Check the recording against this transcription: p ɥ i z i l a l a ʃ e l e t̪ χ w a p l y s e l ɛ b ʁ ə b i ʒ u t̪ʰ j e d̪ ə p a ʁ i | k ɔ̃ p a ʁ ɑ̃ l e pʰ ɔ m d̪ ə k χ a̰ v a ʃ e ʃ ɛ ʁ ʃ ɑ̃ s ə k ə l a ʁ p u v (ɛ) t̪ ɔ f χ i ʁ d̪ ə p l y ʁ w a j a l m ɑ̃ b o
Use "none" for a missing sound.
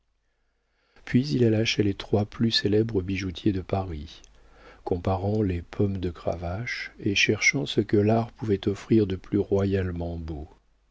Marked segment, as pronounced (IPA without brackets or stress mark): ɛ